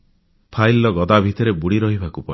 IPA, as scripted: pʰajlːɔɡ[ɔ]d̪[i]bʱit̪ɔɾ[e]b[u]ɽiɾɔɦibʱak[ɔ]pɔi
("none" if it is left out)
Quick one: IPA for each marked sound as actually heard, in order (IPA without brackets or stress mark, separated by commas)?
ɔ, a, e, u, u